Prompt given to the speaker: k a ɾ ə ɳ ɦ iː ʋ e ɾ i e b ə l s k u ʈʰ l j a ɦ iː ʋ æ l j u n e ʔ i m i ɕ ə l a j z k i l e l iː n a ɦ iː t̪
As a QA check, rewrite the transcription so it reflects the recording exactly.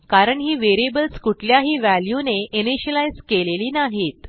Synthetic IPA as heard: k a ɾ ə ɳ ɦ iː ʋ e ɾ i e b ə l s k u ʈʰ l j a ɦ iː ʋ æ l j u n e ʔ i n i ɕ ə l a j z k e l e l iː n a ɦ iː t̪